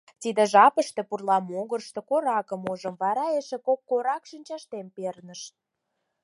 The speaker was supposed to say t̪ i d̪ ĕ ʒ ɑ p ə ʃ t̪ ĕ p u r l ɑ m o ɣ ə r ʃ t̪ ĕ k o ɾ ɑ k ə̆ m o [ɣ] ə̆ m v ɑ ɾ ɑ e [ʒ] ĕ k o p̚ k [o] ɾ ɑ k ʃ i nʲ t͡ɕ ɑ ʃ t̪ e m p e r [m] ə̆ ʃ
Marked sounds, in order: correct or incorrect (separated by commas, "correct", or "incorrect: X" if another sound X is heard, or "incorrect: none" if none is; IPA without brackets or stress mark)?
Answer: incorrect: ʒ, incorrect: ʃ, correct, incorrect: n